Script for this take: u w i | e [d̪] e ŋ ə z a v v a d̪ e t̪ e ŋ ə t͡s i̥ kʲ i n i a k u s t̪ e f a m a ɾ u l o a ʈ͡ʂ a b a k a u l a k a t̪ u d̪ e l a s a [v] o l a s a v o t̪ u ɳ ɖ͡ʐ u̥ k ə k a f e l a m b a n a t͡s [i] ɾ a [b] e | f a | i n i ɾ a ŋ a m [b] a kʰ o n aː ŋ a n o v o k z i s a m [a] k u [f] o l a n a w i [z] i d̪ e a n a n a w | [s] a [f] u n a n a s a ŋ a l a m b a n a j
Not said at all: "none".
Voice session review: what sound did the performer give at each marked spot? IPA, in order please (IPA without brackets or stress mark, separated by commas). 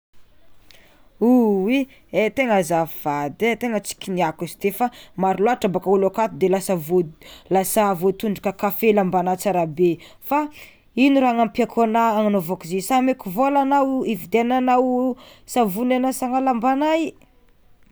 t̪, v, a, b, p, e, v, v, s, v